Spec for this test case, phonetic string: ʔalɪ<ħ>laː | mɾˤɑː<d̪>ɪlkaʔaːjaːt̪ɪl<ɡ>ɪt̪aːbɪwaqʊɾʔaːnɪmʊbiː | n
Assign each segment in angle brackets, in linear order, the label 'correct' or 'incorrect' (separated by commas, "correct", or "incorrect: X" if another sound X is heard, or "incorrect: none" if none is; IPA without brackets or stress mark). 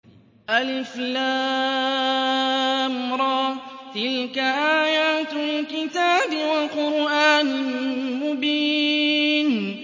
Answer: incorrect: f, incorrect: t̪, incorrect: k